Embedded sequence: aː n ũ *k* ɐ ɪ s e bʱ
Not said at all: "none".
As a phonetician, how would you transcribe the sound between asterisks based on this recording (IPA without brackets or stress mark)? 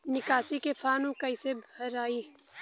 k